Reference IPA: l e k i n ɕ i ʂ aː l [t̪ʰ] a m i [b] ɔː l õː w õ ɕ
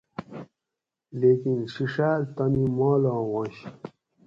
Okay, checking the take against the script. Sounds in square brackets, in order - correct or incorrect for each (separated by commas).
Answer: incorrect, incorrect